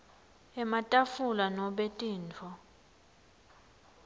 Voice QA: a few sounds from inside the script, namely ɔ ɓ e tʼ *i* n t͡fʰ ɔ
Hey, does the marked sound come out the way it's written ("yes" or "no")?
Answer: no